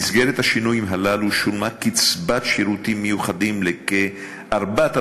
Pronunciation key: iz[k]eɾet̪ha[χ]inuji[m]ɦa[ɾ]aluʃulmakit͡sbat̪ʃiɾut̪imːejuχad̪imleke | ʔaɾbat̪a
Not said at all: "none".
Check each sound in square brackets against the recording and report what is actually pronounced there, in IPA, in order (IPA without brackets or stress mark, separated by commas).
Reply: ɡ, ʃ, m, l